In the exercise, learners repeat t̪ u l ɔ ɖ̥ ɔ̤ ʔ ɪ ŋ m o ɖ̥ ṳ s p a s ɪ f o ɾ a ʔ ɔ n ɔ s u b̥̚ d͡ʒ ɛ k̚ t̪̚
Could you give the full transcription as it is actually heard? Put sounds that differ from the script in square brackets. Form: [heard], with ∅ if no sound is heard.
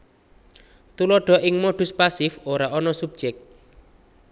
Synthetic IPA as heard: t̪ u l ɔ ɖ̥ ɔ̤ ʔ ɪ ŋ m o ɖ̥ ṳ s p a s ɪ f o ɾ a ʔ ɔ n ɔ s u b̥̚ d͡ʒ ɛ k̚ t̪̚